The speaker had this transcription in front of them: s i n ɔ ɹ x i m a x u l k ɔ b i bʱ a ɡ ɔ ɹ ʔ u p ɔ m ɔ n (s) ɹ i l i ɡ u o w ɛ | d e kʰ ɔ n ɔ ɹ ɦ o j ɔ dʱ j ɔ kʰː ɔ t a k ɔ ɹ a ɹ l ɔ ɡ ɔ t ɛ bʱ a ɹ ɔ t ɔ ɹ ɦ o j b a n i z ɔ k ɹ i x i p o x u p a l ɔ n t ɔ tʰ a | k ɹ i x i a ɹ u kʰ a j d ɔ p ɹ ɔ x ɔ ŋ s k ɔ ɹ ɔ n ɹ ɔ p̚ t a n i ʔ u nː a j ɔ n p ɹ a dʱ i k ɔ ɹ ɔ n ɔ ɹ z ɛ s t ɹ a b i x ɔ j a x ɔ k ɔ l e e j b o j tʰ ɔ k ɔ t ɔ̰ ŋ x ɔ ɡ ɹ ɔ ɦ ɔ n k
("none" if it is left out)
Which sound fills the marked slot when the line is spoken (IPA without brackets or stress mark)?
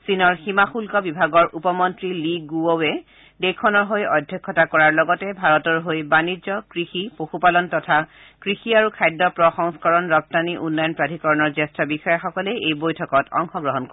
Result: t